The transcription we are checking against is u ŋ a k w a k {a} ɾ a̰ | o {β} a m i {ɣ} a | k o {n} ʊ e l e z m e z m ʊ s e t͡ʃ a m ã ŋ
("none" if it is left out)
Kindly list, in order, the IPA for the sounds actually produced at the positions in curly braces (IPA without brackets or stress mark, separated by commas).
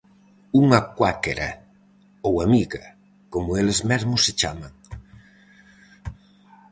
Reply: e, w, ɣ, m